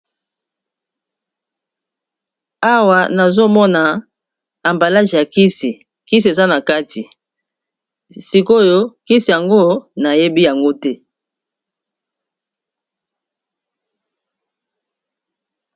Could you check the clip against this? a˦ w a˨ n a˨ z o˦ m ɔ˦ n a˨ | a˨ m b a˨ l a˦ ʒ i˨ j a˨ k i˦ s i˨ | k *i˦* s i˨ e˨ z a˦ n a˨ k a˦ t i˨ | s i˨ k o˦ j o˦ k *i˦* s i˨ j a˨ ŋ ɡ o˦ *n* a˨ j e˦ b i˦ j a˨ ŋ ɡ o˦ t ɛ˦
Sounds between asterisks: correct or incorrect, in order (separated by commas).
correct, correct, correct